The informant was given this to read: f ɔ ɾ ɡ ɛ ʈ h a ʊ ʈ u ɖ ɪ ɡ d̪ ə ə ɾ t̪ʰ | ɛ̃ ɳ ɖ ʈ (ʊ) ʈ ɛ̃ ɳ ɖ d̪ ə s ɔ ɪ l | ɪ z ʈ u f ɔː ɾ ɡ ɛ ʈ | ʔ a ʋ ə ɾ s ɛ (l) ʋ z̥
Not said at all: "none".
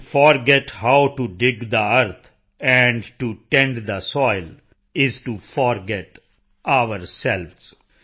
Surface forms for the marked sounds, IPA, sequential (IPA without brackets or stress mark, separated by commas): u, l